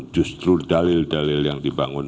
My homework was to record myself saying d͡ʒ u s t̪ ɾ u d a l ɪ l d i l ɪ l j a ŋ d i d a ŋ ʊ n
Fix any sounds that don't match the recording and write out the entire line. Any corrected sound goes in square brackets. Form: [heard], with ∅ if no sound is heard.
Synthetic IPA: d͡ʒ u s t̪ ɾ u d a l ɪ l d [a] l ɪ l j a ŋ d i [b] a ŋ ʊ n